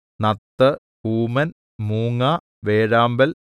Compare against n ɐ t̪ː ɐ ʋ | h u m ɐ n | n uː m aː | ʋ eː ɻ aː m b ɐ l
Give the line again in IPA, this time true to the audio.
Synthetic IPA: n ɐ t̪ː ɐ | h uː m ɐ n | m uː ŋ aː | ʋ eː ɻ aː m b ɐ l